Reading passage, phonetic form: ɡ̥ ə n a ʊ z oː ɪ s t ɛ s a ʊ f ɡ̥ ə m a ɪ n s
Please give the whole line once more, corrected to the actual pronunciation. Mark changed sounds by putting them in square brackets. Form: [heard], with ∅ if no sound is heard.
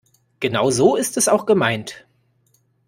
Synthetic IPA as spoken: ɡ̥ ə n a ʊ z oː ɪ s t ɛ s a ʊ [x] ɡ̥ ə m a ɪ n [t]

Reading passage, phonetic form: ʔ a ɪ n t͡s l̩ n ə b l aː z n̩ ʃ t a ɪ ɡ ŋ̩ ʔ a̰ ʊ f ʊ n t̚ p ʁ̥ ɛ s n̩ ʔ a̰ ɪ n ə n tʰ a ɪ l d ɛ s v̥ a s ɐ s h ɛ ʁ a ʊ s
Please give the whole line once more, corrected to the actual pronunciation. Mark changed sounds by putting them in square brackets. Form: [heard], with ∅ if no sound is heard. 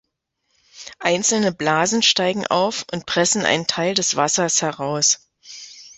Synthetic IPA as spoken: ʔ a ɪ n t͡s l̩ n ə b l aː z n̩ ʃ t a ɪ ɡ ŋ̩ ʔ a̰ ʊ f ʊ n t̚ p ʁ̥ ɛ s n̩ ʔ a̰ ɪ n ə n tʰ a ɪ l d ɛ s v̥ a s ɐ s h ɛ ʁ a ʊ s

